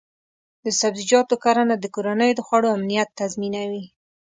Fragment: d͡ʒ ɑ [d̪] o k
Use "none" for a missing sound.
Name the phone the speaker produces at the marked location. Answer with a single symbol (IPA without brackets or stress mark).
t̪